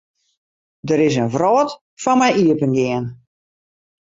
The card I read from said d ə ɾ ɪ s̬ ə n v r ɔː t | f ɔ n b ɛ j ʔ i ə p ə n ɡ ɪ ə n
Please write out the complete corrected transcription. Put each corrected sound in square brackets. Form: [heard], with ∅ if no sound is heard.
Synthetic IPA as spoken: d ə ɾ ɪ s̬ ə n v r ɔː t | f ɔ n [m] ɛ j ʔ i ə p ə n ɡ ɪ ə n